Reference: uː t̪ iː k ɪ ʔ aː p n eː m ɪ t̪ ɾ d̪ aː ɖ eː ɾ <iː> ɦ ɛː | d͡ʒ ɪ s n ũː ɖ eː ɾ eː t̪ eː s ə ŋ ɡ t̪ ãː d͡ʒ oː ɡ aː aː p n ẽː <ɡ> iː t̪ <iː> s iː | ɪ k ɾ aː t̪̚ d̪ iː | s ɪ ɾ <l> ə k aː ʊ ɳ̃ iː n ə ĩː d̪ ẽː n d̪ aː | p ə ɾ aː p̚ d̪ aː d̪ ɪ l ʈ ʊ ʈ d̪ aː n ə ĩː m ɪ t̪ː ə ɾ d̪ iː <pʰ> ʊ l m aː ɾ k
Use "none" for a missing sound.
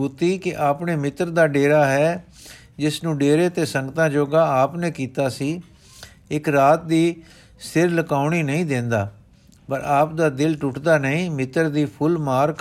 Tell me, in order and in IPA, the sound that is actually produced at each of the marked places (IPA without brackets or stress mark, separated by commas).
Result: aː, k, aː, l, pʰ